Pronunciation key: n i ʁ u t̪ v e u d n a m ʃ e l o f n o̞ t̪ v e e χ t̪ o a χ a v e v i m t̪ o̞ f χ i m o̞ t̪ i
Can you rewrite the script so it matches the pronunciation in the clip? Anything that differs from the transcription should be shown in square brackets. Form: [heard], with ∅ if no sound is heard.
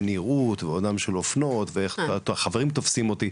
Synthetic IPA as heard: n i ʁ u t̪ v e [o] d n a m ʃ e l o f n o̞ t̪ v e e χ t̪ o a χ a v e [ʁ] i m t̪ o̞ f [s] i m o̞ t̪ i